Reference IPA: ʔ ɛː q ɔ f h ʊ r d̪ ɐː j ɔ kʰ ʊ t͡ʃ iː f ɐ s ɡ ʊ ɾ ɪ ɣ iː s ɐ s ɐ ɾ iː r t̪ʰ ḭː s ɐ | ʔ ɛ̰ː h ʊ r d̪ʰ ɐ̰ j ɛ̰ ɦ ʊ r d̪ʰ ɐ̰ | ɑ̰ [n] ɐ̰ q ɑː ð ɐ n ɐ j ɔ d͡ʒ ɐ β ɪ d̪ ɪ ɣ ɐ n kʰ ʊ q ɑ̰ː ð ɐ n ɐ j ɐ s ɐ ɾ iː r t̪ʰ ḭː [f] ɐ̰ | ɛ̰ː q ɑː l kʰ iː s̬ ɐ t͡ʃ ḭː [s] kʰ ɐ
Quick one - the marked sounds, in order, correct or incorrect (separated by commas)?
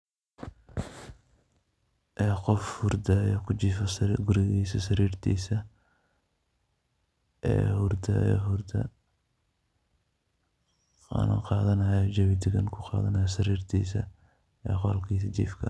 correct, incorrect, incorrect